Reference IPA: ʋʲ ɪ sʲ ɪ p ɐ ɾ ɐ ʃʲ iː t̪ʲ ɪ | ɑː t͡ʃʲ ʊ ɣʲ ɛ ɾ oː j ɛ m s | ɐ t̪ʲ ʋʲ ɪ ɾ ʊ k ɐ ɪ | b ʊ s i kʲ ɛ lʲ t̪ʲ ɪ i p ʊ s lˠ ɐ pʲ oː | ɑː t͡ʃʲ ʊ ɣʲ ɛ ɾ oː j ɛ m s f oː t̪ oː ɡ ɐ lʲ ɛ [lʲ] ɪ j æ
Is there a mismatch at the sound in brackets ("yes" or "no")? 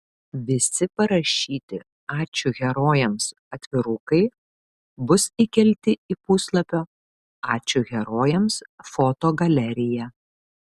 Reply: yes